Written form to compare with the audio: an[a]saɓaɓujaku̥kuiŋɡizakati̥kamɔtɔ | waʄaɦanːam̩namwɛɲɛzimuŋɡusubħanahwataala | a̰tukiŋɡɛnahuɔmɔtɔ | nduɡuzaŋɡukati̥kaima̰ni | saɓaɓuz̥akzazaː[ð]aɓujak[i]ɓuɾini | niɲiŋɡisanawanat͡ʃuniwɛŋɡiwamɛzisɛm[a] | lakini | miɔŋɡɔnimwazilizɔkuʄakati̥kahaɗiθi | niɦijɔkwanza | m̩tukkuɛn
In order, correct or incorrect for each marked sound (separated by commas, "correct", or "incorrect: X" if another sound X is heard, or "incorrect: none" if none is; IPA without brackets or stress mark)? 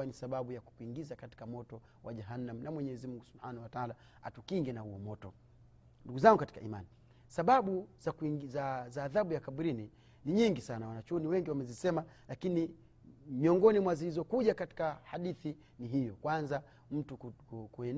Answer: incorrect: i, correct, incorrect: a, correct